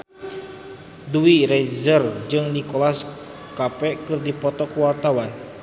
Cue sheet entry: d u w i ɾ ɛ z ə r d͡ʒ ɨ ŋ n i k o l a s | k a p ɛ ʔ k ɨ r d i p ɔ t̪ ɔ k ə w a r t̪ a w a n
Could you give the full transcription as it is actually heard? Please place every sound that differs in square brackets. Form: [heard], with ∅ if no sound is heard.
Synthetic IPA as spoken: d u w i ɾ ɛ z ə r d͡ʒ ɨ ŋ n i k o l a s | k a p ɛ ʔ k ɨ r d i p ɔ t̪ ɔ k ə w a r t̪ a w a n